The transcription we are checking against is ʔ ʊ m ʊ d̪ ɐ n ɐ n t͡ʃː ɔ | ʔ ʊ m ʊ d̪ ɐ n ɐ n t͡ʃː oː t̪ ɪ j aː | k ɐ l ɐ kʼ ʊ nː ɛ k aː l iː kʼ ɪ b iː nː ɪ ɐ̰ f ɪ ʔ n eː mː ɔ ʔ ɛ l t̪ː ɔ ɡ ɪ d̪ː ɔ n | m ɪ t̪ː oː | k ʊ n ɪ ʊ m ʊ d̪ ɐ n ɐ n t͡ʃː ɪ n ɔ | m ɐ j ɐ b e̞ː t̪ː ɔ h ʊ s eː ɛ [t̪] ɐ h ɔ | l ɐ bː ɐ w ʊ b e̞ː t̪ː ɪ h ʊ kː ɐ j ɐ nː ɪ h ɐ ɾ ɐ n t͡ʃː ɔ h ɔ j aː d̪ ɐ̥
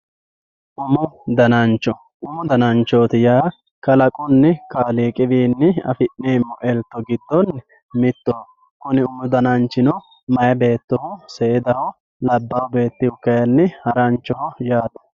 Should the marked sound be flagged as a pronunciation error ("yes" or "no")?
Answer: yes